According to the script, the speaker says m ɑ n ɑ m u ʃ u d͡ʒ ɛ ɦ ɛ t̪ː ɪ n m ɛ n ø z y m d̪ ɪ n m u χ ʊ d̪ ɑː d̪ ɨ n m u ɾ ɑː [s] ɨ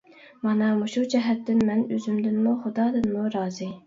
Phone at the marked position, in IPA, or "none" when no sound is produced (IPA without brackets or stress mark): z